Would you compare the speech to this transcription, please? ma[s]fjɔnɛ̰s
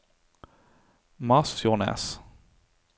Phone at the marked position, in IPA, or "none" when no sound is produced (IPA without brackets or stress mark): s